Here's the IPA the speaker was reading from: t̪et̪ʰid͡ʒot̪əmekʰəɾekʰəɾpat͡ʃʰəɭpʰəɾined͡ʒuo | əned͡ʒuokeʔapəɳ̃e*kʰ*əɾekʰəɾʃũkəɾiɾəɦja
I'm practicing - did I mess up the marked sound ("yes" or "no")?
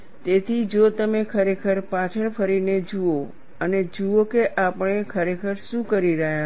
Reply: no